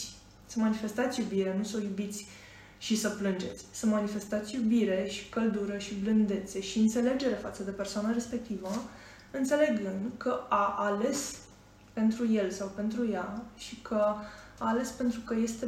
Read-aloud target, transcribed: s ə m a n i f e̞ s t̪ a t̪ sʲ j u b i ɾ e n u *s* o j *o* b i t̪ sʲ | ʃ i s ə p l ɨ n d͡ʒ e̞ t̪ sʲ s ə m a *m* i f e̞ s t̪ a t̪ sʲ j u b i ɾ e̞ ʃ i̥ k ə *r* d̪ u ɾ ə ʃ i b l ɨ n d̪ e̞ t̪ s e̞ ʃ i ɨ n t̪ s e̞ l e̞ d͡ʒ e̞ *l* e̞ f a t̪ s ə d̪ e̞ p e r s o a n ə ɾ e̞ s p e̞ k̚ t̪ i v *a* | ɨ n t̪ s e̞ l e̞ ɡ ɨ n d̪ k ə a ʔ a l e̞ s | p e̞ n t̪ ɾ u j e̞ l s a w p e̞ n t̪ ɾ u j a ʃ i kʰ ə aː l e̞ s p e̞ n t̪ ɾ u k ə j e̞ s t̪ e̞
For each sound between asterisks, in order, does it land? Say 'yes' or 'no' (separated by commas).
yes, no, no, no, no, no